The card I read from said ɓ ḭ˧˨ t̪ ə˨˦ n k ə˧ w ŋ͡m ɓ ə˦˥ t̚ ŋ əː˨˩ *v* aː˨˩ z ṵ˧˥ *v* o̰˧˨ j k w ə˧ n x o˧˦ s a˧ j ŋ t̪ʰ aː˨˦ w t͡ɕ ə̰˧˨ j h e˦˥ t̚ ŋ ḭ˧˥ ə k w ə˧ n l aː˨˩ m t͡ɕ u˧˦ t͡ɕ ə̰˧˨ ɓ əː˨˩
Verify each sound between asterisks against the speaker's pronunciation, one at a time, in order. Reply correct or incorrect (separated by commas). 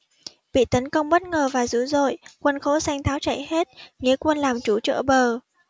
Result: correct, incorrect